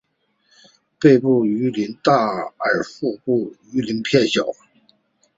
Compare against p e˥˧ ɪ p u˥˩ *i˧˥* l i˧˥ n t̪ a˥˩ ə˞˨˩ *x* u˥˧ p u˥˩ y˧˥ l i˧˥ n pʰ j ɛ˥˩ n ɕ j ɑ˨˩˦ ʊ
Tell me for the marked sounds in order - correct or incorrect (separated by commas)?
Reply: incorrect, incorrect